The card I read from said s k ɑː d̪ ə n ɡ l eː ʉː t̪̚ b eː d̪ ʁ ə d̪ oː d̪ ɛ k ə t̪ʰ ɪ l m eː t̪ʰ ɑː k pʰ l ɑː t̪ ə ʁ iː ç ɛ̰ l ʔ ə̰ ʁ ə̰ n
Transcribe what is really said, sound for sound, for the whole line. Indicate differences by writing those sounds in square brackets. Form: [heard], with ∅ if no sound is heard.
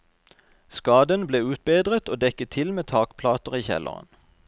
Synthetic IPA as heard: s k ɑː d̪ ə n [b] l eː ʉː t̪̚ b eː d̪ ʁ ə [t̪] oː d̪ ɛ k ə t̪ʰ ɪ l m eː t̪ʰ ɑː k pʰ l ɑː t̪ ə ʁ iː ç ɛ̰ l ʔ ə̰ ʁ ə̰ n

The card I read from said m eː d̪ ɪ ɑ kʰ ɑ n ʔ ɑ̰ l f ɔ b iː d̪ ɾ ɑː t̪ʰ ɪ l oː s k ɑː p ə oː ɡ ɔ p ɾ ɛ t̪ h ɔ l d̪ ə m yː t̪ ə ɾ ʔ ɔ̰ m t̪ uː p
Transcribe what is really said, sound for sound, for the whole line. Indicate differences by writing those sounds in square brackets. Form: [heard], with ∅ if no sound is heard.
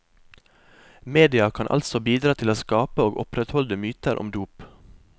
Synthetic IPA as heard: m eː d̪ ɪ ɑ kʰ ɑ n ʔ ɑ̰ l [s] ɔ b iː d̪ ɾ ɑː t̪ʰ ɪ l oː s k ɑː p ə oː ɡ ɔ p ɾ ɛ t̪ h ɔ l d̪ ə m yː t̪ ə ɾ ʔ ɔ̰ m [d̪] uː p

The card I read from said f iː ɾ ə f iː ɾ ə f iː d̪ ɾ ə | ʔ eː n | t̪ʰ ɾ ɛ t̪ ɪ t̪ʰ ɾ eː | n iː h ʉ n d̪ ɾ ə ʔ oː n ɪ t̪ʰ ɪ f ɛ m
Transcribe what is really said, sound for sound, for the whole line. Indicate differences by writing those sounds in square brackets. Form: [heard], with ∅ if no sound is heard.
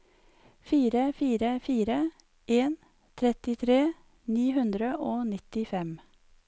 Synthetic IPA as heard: f iː ɾ ə f iː ɾ ə f iː [∅] ɾ ə | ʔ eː n | t̪ʰ ɾ ɛ t̪ ɪ t̪ʰ ɾ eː | n iː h ʉ n d̪ ɾ ə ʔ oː n ɪ [t̪] ɪ f ɛ m

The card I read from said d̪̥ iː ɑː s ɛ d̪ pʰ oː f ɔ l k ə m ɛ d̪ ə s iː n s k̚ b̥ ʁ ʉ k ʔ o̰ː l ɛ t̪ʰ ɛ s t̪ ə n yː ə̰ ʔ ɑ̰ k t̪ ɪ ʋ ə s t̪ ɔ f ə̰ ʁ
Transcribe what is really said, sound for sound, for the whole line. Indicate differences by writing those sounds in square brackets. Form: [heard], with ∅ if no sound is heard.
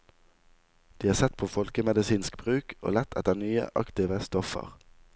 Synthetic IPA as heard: d̪̥ iː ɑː s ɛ [t̪] pʰ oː f ɔ l k ə m ɛ d̪ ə s iː n s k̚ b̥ ʁ [ʉː] k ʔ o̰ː l ɛ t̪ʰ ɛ [∅] t̪ ə n yː ə̰ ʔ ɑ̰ k t̪ ɪ ʋ ə s t̪ ɔ f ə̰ ʁ

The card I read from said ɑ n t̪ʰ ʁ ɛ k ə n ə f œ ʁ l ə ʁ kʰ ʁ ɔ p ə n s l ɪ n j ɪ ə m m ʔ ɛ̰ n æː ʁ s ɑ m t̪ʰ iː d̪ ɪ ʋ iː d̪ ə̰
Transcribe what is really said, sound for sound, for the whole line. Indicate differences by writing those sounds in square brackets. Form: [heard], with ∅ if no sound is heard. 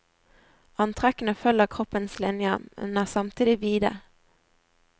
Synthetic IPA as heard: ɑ n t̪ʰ ʁ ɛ k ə n ə f œ [∅] l ə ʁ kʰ ʁ ɔ p ə n s l ɪ n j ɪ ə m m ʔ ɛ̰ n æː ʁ s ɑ m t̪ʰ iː d̪ ɪ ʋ iː d̪ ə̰

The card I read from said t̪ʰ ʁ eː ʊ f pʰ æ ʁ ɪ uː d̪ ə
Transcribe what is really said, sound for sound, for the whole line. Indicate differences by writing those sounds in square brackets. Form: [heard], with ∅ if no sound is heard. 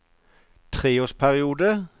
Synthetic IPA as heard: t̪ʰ ʁ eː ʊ [s] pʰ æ ʁ ɪ uː d̪ ə

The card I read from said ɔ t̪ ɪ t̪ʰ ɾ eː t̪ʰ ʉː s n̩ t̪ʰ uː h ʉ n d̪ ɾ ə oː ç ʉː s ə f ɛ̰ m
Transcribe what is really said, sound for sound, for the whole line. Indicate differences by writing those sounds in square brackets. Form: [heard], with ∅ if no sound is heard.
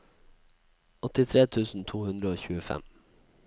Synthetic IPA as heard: ɔ t̪ ɪ t̪ʰ ɾ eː t̪ʰ ʉː s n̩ t̪ʰ uː h ʉ n d̪ ɾ ə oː ç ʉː [∅] ə f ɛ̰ m

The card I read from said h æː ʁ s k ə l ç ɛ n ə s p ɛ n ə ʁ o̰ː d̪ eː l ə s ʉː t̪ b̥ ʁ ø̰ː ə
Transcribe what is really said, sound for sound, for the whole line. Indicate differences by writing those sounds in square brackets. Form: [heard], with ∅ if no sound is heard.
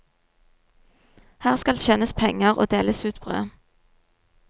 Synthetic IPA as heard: h æː ʁ s k [ɑ] l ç ɛ n ə s [pʰ] ɛ [ŋ] ə ʁ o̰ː d̪ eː l ə s ʉː t̪ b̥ ʁ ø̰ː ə

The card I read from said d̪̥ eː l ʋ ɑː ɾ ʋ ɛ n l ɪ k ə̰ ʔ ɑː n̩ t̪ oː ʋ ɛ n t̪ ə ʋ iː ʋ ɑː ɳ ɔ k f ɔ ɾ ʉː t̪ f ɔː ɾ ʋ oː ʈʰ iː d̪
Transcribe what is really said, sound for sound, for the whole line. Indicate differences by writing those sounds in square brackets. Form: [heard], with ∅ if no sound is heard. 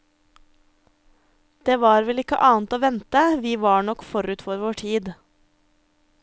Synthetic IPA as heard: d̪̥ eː [∅] ʋ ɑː ɾ ʋ ɛ [∅] l ɪ k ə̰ ʔ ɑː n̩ t̪ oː ʋ ɛ n t̪ ə ʋ iː ʋ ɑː ɳ ɔ k f ɔ ɾ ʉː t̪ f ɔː ɾ ʋ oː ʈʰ iː d̪

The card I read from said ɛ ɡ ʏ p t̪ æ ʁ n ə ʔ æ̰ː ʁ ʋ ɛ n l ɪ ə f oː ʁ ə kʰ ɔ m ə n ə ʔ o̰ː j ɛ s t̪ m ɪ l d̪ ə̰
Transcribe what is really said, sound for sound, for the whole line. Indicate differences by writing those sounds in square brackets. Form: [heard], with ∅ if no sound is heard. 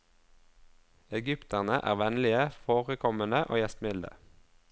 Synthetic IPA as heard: ɛ ɡ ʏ p t̪ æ ʁ n ə ʔ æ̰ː ʁ ʋ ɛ n l ɪ ə f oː ʁ ə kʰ ɔ m ə n ə ʔ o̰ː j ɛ s t̪ m ɪ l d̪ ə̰

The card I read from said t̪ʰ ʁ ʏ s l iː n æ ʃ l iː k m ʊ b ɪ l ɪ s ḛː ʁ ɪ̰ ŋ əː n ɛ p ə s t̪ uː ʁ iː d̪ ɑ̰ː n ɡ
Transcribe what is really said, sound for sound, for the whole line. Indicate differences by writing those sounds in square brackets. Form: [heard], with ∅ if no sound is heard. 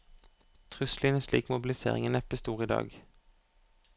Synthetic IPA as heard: t̪ʰ ʁ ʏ s l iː n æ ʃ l iː k m ʊ b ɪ l ɪ s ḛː ʁ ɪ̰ ŋ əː n ɛ p ə s t̪ uː ʁ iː d̪ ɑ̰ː [∅] ɡ

